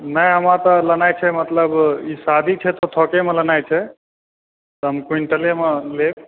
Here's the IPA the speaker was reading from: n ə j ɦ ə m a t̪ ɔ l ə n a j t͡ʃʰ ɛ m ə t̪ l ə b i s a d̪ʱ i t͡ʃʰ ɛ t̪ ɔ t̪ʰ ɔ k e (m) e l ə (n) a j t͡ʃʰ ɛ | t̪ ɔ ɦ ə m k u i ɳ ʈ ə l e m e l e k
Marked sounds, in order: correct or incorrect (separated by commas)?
correct, correct